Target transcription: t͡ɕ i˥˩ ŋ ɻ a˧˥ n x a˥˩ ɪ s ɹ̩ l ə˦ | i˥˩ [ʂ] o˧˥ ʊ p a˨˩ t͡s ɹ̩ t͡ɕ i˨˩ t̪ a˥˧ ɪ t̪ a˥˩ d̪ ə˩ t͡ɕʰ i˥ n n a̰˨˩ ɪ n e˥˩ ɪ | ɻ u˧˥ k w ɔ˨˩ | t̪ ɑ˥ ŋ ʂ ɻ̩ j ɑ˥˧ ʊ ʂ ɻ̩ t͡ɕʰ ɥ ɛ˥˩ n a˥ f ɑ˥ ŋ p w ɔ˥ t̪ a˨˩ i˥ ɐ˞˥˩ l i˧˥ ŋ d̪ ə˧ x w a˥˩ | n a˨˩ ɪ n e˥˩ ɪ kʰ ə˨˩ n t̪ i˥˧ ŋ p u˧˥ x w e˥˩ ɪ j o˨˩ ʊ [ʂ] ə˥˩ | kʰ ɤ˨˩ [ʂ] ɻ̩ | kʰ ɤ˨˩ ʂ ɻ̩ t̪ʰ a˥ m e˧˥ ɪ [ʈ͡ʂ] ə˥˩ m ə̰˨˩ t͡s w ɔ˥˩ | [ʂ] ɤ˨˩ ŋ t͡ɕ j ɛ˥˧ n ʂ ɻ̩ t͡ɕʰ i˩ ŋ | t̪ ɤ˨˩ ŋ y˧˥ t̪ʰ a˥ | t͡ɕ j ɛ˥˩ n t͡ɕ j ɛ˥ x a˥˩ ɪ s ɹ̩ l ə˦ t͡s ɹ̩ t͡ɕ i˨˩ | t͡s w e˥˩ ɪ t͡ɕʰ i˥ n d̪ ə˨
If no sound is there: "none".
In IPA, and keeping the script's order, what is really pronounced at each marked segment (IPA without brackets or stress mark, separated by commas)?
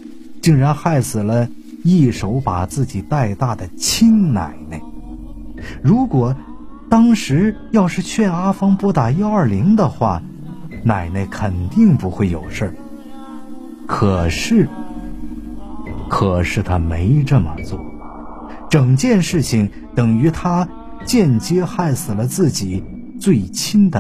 ʂ, ʂ, ʂ, ʈ͡ʂ, ʈ͡ʂ